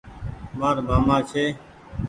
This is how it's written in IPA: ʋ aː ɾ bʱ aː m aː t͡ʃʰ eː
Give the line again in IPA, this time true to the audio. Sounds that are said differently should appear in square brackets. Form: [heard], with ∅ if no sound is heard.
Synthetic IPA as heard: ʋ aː ɾ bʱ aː m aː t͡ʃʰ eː